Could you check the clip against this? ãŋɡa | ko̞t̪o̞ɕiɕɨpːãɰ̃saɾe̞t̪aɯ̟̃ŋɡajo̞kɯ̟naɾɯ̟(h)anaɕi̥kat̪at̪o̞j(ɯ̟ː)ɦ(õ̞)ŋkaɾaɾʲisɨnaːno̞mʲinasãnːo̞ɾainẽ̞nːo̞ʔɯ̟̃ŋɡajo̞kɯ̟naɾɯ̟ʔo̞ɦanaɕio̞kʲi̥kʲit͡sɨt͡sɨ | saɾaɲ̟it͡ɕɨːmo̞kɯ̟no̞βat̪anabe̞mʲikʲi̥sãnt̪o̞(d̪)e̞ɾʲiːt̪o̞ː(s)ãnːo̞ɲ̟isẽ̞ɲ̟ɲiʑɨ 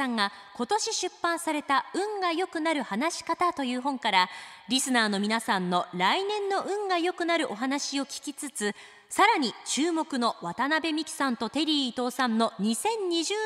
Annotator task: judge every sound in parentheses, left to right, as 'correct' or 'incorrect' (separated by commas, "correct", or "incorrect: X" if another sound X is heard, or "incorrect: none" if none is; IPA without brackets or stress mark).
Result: correct, correct, correct, incorrect: t̪, correct